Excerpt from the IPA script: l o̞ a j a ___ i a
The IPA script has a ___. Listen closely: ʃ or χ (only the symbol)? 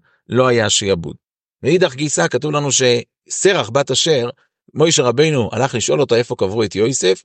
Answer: ʃ